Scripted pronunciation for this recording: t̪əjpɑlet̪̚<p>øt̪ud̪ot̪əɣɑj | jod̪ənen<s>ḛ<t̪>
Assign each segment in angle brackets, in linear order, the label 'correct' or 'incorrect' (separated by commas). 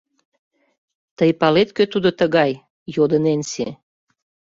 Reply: incorrect, correct, incorrect